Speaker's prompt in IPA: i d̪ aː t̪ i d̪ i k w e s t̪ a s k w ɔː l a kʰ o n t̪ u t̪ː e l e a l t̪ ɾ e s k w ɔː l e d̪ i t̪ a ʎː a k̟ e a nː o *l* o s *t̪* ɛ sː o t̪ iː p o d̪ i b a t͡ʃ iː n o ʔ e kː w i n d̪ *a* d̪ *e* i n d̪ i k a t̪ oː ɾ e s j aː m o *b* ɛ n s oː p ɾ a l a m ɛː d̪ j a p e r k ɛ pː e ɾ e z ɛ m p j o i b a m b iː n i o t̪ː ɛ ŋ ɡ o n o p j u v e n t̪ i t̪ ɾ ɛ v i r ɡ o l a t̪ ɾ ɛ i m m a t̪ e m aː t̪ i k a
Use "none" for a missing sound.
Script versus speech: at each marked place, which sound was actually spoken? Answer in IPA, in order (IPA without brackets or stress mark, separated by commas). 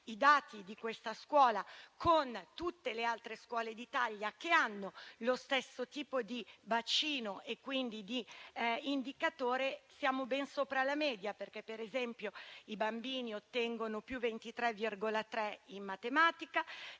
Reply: l, t̪, i, i, b